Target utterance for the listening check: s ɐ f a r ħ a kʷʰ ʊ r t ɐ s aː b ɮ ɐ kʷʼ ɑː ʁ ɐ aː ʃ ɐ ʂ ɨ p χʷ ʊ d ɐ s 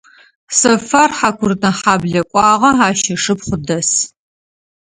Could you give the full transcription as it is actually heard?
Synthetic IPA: s ɐ f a r ħ a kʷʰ ʊ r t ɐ ħ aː b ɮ ɐ kʷʼ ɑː ʁ ɐ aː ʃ ɐ ʂ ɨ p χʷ ʊ d ɐ s